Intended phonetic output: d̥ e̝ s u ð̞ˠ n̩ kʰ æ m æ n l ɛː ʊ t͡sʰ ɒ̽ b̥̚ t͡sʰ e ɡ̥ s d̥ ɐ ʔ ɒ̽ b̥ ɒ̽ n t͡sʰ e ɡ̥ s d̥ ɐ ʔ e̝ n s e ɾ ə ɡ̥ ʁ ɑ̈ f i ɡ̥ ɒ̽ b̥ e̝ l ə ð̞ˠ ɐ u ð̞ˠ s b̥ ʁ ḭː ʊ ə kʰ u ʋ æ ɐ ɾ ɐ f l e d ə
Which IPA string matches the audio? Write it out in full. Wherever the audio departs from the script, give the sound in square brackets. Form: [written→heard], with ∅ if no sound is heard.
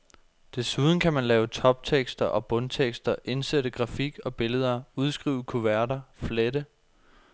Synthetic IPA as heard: d̥ e̝ s u ð̞ˠ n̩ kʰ æ m æ n l ɛː ʊ t͡sʰ ɒ̽ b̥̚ t͡sʰ e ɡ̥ s d̥ ɐ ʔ ɒ̽ b̥ [ɒ̽→ɔ̽] n t͡sʰ e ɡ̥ s d̥ ɐ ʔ e̝ n s e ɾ ə ɡ̥ ʁ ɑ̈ f i ɡ̥ ɒ̽ b̥ e̝ l ə ð̞ˠ ɐ u ð̞ˠ s [b̥→ɡ̥] ʁ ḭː ʊ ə kʰ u ʋ æ ɐ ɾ ɐ f l e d ə